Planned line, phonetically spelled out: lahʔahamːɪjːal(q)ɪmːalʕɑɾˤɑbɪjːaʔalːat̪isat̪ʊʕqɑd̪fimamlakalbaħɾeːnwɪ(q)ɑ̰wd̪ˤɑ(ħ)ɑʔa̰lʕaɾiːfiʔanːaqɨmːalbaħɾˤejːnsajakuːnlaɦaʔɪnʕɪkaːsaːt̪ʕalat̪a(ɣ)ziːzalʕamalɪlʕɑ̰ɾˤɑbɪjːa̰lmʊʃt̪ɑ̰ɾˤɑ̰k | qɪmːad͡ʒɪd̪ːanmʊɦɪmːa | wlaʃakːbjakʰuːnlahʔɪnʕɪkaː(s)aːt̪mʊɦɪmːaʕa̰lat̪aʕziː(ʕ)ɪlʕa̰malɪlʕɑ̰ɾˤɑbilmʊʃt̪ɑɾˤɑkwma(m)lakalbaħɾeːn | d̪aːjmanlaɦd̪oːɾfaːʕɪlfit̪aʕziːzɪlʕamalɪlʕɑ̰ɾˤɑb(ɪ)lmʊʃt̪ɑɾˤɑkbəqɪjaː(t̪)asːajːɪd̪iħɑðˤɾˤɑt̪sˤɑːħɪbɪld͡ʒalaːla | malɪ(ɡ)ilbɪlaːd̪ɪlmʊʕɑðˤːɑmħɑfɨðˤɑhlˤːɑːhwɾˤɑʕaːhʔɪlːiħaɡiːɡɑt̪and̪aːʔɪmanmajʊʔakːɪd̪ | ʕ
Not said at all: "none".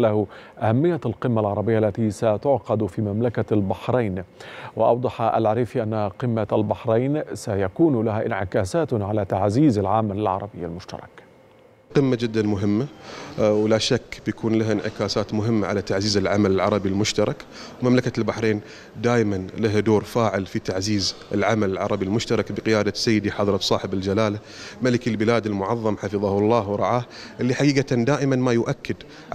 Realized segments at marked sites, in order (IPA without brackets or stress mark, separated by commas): q, ʔ, ħ, ʕ, s, z, m, i, d̪, k